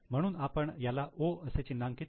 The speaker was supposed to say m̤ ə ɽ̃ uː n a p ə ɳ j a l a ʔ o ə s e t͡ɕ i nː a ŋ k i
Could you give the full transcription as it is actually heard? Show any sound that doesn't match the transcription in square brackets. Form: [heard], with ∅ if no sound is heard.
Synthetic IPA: m̤ ə ɽ̃ uː n a p ə ɳ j a l a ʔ o ə s e t͡ɕ i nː a ŋ k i